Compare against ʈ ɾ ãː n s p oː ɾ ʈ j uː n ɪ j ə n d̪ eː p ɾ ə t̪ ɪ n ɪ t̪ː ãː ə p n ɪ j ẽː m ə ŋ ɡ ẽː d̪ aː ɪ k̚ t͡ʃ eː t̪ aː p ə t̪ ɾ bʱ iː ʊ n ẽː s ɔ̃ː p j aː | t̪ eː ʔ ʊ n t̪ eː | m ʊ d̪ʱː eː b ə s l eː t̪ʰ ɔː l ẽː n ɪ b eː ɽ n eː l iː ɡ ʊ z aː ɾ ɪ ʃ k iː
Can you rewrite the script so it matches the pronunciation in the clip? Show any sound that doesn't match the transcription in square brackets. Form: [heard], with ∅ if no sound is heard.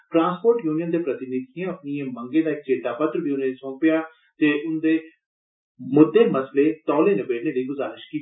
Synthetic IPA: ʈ ɾ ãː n s p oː ɾ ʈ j uː n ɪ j ə n d̪ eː p ɾ ə t̪ ɪ n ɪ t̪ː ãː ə p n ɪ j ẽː m ə ŋ ɡ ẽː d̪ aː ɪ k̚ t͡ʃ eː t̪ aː p ə t̪ ɾ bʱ iː ʊ n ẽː s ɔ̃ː p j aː | t̪ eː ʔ ʊ n [d̪] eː | m ʊ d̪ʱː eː [m] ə s l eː [t̪] ɔː l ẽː n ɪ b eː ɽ n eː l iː ɡ ʊ z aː ɾ ɪ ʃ k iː